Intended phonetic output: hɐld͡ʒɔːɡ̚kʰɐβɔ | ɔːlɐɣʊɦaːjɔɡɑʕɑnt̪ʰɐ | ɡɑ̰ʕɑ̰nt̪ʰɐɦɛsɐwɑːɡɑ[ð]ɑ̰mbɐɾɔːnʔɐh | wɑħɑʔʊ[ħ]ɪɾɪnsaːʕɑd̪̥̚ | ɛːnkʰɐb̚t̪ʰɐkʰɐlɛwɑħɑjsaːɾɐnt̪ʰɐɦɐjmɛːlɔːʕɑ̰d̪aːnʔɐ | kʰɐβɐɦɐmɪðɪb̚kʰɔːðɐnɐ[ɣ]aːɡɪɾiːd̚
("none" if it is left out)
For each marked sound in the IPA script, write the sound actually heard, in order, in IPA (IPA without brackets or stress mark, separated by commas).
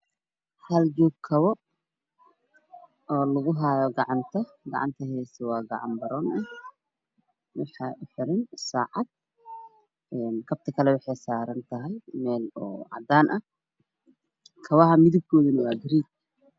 ʕ, ħ, w